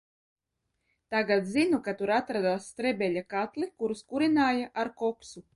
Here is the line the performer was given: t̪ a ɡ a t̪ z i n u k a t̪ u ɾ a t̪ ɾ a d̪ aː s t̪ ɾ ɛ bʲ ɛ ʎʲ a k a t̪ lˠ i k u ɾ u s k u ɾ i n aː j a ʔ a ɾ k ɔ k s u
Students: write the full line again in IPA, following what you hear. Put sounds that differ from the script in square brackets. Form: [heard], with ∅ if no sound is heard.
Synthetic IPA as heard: t̪ a ɡ a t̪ z i n u k a t̪ u ɾ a t̪ ɾ a d̪ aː s t̪ ɾ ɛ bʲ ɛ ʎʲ a k a t̪ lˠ i k u ɾ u s k u ɾ i n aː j a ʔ a ɾ k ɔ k s u